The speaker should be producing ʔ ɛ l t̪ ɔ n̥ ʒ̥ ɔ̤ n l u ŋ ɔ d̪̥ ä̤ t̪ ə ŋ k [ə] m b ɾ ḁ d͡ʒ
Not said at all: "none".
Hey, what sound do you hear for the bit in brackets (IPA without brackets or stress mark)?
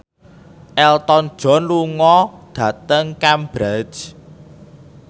a